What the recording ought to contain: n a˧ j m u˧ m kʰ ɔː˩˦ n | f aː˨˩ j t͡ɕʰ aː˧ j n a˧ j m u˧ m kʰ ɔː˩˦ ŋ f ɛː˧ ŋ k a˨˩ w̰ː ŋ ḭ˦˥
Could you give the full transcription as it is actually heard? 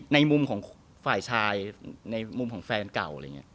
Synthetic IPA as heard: n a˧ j m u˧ m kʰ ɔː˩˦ ŋ | f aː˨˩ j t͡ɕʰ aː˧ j n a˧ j m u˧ m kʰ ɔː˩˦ ŋ f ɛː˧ n k a˨˩ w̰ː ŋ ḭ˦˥